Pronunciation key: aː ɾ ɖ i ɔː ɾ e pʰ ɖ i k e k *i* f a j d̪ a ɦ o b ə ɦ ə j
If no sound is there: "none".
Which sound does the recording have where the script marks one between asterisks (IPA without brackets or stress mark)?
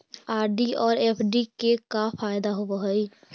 a